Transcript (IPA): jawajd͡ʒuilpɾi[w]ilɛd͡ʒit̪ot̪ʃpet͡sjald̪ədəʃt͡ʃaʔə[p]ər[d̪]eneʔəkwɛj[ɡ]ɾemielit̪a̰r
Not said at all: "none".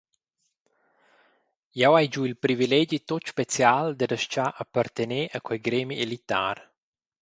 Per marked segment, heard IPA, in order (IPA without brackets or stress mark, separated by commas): v, p, t̪, ɡ